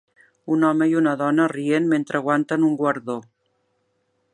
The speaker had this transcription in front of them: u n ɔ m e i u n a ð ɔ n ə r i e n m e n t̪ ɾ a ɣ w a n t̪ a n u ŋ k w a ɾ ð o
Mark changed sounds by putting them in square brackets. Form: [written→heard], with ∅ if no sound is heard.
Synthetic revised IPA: u n ɔ m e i u n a ð ɔ n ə r i e n m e n t̪ ɾ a ɣ w a n t̪ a n u ŋ [k→ɡ] w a ɾ ð o